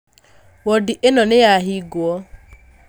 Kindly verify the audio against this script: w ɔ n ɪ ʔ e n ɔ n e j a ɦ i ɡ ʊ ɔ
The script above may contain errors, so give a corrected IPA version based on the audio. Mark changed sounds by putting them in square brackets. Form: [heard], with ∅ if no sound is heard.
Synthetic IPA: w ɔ [d] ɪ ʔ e n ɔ n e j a ɦ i ɡ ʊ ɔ

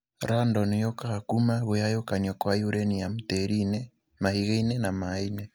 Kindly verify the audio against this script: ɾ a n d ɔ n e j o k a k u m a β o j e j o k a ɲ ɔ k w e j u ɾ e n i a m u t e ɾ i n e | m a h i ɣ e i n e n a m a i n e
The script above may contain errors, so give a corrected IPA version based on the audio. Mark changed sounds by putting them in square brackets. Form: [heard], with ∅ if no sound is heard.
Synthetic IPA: ɾ a n d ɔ n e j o k a k u m a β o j [a] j o k a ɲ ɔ k w [a] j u ɾ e n i a m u t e ɾ i n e | m a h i ɣ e i n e n a m a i n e

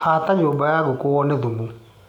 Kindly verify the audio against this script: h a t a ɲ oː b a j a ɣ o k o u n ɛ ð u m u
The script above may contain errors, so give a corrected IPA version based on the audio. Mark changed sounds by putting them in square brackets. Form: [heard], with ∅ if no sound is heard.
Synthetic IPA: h a t a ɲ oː b a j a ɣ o k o [ɔ] n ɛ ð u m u

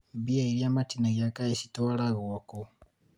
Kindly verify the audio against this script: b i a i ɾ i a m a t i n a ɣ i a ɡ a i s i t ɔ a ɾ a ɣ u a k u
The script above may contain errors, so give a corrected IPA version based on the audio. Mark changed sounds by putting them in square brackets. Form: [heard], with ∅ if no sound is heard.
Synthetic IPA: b i a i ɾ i a m a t i n a ɣ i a [k] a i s i t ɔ a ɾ a ɣ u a k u

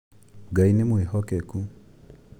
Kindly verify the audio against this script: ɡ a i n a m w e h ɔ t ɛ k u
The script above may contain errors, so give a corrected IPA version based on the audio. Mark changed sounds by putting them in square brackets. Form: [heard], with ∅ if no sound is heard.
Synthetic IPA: ɡ a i n [e] m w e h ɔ [k] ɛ k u

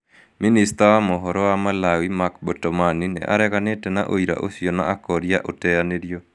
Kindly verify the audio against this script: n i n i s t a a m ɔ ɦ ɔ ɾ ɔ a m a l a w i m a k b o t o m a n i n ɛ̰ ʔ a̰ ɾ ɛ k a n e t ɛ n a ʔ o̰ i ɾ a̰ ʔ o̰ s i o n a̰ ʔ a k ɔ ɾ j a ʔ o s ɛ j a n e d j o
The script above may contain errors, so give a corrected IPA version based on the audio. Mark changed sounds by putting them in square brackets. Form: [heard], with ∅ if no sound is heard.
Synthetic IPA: [m] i n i s t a a m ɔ ɦ ɔ ɾ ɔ a m a l a w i m a k b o t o m a n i n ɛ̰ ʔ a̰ ɾ ɛ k a n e t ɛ n a ʔ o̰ i ɾ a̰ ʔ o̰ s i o n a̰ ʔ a k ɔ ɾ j a ʔ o [t] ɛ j a n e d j o

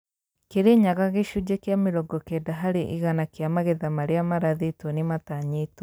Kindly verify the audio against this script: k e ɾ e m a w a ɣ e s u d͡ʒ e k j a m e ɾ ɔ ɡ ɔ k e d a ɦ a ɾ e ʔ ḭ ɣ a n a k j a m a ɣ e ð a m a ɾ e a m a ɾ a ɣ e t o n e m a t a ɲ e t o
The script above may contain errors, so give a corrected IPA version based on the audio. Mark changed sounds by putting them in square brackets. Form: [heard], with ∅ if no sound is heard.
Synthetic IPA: k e ɾ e [ɲ] a [ɣ] a ɣ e [ʃ] u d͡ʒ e k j a m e ɾ ɔ ɡ ɔ k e d a ɦ a ɾ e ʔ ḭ ɣ a n a k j a m a ɣ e ð a m a ɾ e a m a ɾ a [ð] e t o n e m a t a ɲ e t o

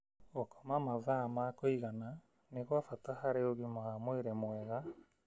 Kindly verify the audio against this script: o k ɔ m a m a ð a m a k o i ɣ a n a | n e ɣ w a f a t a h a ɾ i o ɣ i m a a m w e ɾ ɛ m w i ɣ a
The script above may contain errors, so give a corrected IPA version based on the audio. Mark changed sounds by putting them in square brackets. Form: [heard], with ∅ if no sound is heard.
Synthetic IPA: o k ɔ m a m a ð a m a k o i ɣ a n a | n e ɣ w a f a t a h a ɾ [e] o ɣ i m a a m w e ɾ ɛ m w [ɛ] ɣ a

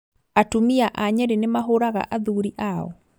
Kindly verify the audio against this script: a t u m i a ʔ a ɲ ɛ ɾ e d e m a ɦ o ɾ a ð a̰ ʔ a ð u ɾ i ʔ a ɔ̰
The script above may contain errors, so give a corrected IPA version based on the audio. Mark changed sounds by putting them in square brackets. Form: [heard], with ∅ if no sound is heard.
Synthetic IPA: a t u m i a ʔ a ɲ ɛ ɾ e [n] e m a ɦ o ɾ a [ɣ] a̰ ʔ a ð u ɾ i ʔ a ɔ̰

